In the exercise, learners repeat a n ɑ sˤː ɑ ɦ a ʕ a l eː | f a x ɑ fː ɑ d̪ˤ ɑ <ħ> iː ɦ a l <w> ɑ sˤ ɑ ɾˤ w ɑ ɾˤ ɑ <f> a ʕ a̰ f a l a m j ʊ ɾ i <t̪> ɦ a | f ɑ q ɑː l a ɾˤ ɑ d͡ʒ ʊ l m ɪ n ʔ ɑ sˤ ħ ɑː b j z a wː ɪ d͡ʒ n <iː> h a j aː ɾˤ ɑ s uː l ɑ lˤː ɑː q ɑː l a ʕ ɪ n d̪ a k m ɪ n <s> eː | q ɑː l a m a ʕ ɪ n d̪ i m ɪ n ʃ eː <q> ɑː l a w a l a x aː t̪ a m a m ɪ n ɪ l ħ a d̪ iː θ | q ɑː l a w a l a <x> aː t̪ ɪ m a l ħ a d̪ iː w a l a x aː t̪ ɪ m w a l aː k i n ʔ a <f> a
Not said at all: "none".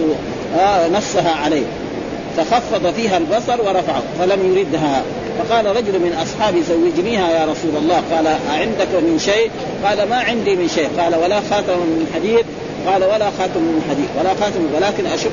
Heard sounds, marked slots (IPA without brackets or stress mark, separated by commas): f, b, f, d̪, iː, ʃ, q, x, ʃ